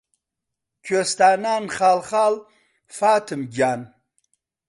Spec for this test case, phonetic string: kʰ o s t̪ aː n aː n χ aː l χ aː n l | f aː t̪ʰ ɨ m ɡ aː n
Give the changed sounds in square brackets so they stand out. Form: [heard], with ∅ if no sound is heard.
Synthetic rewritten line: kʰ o s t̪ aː n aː n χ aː l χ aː [∅] l | f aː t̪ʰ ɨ m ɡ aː n